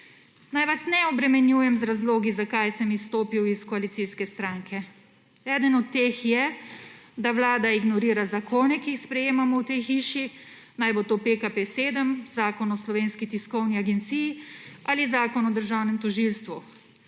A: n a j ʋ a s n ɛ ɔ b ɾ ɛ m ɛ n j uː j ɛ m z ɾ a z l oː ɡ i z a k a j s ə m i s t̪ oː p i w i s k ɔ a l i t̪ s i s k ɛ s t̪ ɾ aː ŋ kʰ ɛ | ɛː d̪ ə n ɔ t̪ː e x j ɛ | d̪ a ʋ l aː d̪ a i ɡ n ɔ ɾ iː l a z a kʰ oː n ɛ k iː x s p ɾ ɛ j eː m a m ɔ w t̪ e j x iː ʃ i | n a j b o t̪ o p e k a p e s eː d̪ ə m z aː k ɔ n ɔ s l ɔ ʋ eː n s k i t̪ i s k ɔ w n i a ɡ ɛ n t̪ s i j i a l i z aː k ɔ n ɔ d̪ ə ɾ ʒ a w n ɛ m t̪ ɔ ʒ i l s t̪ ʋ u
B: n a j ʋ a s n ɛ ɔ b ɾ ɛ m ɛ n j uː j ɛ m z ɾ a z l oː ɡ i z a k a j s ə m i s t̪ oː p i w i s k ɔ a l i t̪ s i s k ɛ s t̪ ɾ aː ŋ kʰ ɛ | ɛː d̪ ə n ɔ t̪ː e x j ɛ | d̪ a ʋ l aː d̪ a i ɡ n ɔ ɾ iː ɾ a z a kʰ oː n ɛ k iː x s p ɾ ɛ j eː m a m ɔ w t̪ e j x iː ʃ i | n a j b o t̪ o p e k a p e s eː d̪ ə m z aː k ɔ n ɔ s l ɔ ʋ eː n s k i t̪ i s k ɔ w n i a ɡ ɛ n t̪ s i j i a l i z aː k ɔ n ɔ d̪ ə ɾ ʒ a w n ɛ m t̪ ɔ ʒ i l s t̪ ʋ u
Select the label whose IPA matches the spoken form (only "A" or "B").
B